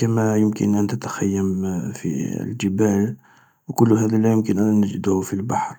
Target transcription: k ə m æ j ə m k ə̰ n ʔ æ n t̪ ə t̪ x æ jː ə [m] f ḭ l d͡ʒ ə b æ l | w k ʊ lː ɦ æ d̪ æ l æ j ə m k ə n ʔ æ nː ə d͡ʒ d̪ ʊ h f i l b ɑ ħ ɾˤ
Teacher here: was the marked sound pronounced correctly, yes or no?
yes